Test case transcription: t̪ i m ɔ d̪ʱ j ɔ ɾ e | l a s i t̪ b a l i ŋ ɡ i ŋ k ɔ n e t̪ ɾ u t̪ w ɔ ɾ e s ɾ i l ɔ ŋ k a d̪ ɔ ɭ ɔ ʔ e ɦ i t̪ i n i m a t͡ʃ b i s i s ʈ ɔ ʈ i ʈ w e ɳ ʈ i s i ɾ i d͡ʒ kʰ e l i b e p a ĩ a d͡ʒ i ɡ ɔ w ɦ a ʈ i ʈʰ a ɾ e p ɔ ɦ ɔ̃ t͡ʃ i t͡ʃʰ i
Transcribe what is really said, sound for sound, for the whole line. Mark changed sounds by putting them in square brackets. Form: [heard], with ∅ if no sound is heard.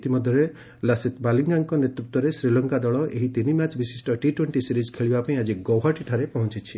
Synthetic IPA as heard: t̪ i m ɔ d̪ʱ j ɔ ɾ e | l a s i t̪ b a l i ŋ ɡ [a] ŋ k ɔ n e t̪ ɾ u t̪ w ɔ ɾ e s ɾ i l ɔ ŋ k a d̪ ɔ ɭ ɔ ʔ e ɦ i t̪ i n i m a t͡ʃ b i s i s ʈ ɔ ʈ i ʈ w e ɳ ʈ i s i ɾ i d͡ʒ kʰ e [ɭ] i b [a] p a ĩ a d͡ʒ i ɡ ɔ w ɦ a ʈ i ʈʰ a ɾ e p ɔ ɦ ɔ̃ t͡ʃ i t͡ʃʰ i